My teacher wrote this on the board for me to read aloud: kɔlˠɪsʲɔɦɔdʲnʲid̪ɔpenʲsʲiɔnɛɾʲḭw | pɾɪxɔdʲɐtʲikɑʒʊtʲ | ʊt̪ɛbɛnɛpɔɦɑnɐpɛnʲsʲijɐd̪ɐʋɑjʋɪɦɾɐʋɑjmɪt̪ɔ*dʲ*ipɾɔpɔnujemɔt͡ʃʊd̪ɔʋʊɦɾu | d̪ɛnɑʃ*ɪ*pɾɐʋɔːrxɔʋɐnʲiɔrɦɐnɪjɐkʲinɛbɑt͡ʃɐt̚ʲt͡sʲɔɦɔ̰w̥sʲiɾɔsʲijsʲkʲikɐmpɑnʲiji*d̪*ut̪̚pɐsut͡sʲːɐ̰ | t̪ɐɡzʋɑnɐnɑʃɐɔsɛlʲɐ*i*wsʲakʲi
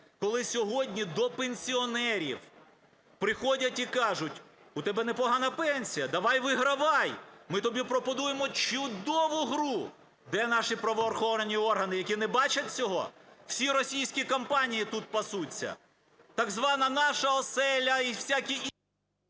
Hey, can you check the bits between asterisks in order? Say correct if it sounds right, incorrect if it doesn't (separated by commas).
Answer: incorrect, incorrect, incorrect, correct